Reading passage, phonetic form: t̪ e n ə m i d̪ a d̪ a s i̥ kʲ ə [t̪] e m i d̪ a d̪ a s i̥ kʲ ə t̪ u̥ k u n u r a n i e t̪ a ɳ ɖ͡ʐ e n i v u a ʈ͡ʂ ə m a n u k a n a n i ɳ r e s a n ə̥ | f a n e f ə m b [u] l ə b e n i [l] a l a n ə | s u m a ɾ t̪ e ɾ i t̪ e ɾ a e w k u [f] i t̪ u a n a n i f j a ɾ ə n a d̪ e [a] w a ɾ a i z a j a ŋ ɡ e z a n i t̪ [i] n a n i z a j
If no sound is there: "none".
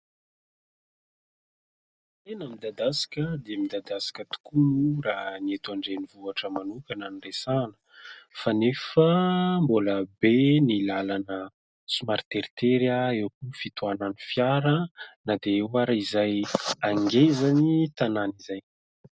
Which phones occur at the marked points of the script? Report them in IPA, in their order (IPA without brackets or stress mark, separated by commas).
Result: d̪, o, l, f, e, a